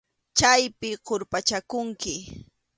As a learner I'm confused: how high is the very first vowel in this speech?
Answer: low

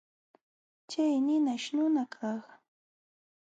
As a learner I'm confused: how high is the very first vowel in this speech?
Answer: low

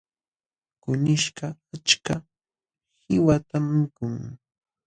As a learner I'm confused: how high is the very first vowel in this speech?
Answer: high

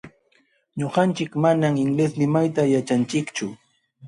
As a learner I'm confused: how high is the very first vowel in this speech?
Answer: mid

